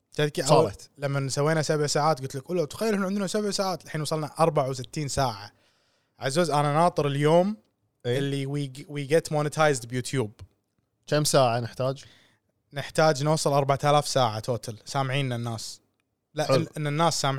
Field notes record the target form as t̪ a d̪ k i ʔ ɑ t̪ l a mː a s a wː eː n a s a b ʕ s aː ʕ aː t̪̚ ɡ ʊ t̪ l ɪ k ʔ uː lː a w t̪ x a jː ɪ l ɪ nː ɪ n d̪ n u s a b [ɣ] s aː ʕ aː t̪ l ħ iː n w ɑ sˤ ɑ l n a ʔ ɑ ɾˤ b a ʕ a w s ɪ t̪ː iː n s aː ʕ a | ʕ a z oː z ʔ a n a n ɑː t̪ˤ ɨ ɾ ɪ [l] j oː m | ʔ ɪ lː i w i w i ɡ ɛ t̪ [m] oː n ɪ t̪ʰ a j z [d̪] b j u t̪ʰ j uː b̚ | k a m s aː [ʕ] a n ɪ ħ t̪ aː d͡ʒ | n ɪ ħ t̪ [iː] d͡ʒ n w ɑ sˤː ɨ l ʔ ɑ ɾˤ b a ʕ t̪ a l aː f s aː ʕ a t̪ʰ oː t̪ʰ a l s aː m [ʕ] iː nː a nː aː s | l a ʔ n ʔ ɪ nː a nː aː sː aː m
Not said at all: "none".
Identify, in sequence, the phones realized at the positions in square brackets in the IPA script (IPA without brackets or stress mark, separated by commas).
ʕ, l, m, d̪, ʕ, aː, ʕ